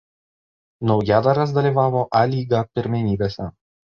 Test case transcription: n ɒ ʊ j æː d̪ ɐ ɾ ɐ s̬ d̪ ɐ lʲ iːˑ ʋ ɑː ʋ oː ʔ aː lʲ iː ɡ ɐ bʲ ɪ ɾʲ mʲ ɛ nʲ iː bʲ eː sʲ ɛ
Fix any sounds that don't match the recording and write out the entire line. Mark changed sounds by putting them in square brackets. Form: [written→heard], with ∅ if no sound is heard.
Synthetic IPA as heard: n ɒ ʊ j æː d̪ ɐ ɾ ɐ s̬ d̪ ɐ lʲ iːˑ ʋ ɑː ʋ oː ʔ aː lʲ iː ɡ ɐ [bʲ→pʲ] ɪ ɾʲ mʲ ɛ nʲ iː bʲ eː sʲ ɛ